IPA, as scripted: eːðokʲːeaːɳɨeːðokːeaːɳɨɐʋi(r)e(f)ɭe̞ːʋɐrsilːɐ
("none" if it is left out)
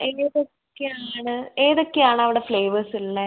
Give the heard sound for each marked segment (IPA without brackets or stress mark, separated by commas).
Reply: ɽ, f